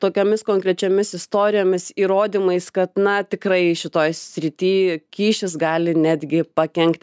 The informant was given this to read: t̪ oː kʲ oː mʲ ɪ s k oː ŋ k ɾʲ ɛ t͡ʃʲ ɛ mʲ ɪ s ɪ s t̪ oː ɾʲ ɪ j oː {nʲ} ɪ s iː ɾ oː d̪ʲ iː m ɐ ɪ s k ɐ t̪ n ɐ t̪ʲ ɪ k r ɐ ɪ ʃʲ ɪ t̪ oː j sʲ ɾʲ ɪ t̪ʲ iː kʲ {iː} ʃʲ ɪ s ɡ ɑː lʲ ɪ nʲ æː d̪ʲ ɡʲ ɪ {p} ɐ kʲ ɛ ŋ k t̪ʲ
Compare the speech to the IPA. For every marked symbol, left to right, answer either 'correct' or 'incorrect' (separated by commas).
incorrect, correct, correct